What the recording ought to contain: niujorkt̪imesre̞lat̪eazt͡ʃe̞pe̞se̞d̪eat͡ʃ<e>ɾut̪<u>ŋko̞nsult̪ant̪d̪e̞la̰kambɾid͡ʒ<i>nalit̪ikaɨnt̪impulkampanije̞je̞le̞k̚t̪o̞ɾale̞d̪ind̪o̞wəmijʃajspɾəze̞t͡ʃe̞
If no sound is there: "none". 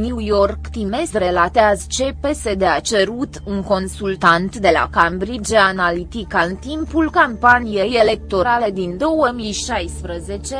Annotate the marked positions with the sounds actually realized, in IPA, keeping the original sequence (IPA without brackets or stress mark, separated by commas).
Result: e, u, a